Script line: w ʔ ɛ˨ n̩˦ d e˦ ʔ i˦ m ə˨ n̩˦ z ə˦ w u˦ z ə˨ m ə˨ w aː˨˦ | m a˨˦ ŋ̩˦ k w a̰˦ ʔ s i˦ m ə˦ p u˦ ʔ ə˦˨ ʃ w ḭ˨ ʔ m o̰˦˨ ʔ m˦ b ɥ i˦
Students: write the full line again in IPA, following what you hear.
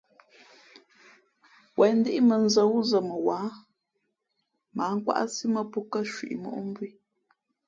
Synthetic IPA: w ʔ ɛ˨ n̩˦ d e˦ ʔ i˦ m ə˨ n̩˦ z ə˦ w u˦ z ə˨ m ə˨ w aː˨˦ | m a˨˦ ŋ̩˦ k w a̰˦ ʔ s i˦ m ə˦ p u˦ k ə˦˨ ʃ w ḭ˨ ʔ m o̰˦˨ ʔ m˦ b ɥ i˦